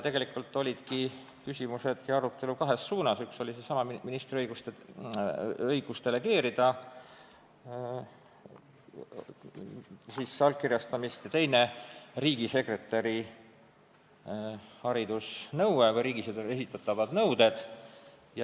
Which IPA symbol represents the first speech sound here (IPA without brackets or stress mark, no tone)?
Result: t̪